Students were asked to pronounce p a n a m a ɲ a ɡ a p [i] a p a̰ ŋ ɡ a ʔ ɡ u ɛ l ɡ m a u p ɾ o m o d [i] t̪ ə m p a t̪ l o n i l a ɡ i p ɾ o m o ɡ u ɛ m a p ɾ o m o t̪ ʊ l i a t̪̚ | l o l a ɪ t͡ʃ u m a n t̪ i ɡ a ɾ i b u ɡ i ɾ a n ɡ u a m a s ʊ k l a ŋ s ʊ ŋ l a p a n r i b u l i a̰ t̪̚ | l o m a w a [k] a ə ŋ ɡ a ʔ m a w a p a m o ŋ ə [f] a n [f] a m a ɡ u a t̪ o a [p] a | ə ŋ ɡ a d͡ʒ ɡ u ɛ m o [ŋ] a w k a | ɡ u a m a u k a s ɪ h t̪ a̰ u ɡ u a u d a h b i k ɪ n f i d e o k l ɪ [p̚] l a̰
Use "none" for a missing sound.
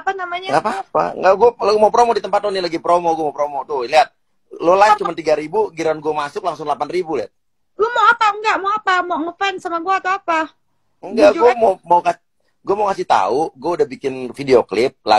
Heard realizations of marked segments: a, i, p, f, s, p, m, p̚

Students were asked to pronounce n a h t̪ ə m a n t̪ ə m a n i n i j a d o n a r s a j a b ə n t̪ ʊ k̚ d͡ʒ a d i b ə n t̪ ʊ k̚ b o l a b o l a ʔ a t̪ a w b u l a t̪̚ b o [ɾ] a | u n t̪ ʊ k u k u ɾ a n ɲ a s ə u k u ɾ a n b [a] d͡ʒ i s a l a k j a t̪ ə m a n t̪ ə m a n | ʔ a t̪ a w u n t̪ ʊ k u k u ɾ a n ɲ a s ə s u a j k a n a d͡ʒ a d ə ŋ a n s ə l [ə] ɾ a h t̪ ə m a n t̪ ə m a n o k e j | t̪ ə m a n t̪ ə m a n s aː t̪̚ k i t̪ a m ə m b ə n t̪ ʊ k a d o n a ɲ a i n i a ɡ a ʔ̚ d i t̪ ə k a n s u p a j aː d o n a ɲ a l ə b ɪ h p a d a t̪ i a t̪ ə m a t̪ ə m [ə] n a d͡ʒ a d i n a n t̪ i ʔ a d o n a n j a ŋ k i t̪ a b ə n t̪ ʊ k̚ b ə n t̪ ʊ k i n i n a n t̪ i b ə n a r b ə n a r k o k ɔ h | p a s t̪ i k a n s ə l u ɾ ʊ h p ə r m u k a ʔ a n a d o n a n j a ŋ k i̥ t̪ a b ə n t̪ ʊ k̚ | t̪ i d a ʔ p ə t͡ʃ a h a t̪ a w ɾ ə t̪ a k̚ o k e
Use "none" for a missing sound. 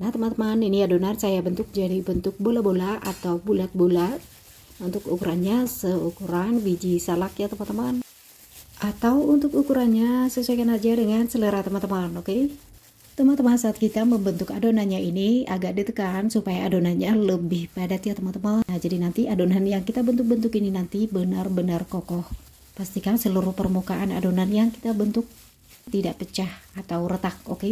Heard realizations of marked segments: l, i, ə, a

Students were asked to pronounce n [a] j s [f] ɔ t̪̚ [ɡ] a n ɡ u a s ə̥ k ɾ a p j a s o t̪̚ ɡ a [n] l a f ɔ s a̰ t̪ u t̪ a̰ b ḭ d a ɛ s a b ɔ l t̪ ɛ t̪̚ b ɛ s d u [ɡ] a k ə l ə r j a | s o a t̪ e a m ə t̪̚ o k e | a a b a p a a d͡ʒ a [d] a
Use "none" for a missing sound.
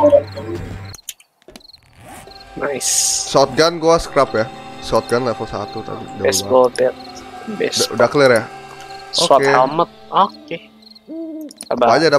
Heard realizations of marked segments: a, s, ɡ, n, d, d

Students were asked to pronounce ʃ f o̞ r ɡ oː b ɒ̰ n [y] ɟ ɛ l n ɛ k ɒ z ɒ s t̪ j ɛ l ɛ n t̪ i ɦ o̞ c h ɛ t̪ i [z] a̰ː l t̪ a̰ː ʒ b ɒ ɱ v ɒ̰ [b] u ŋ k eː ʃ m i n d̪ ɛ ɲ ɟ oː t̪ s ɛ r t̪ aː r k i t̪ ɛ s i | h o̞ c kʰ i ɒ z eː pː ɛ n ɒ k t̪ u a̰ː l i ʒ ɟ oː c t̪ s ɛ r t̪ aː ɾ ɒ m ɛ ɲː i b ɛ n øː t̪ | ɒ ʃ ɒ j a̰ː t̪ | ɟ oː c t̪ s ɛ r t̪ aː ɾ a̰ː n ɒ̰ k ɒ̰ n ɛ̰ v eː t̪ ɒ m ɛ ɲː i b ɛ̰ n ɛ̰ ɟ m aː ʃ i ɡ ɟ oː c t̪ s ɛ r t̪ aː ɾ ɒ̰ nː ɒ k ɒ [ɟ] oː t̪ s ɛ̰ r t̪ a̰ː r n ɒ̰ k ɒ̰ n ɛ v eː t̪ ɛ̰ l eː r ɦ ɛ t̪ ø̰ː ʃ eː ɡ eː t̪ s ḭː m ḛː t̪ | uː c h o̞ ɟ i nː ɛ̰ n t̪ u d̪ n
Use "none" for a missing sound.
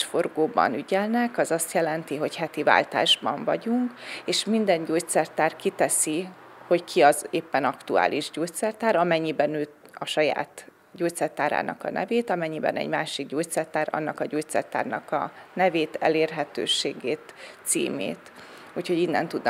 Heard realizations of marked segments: y, v, ɟ, ɟ

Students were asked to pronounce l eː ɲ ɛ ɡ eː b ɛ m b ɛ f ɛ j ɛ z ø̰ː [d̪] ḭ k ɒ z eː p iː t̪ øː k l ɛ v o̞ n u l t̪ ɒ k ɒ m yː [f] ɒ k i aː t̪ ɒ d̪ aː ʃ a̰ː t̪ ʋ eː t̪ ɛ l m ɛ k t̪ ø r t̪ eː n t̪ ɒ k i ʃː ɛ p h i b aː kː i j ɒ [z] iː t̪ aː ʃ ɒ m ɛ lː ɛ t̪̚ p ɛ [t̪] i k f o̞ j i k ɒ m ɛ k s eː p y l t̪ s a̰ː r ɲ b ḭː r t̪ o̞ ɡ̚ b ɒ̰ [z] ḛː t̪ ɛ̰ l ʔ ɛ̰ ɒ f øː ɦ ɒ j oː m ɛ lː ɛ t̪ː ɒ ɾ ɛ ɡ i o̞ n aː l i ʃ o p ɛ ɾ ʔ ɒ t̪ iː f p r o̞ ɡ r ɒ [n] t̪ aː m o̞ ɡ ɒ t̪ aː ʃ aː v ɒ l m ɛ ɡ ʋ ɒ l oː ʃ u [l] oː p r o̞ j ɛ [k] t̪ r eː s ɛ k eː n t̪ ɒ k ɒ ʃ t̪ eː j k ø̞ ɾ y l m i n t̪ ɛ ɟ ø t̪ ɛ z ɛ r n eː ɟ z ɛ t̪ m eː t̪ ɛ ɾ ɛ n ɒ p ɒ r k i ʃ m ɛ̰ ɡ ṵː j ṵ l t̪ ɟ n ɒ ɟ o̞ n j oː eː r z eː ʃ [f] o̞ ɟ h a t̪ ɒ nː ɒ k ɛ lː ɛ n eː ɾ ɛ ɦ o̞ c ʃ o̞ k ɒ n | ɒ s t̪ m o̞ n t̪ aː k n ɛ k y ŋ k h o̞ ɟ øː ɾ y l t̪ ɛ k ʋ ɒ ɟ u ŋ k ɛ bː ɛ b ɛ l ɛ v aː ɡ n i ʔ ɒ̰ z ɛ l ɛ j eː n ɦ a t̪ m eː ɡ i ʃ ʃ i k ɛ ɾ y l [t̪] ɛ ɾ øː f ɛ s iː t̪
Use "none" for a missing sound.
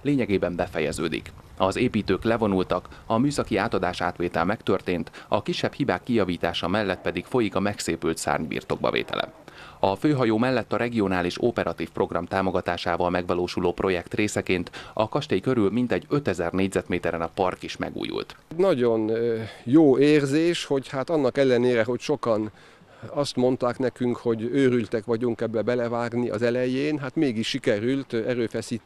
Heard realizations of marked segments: d̪, s, v, d̪, v, m, l, k, h, t̪

